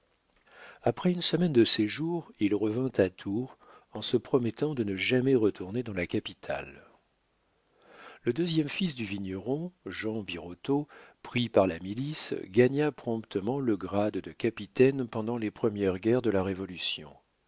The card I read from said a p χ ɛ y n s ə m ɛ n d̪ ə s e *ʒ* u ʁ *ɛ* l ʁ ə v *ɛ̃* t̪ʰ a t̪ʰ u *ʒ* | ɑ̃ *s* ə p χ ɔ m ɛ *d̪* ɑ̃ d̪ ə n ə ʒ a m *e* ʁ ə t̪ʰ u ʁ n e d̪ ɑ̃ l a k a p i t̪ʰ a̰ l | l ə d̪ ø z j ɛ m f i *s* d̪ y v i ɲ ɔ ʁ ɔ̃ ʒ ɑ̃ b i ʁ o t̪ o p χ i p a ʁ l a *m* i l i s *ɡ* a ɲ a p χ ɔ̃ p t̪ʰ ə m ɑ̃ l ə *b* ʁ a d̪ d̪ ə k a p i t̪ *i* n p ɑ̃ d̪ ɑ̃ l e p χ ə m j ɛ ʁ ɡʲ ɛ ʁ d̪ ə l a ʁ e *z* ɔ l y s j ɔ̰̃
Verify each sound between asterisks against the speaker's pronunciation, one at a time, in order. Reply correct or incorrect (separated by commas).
correct, incorrect, correct, incorrect, correct, incorrect, incorrect, correct, correct, correct, incorrect, incorrect, incorrect